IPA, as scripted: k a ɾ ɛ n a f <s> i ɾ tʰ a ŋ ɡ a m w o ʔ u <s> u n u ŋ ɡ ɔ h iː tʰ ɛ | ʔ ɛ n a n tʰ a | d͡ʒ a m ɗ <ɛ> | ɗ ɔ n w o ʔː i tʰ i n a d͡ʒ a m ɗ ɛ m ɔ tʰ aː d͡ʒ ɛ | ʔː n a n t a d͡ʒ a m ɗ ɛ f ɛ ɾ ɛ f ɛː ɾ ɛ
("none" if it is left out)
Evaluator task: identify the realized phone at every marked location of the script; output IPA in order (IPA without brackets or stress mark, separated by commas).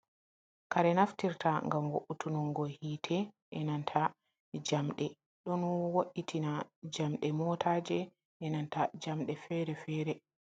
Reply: t, t, ɛ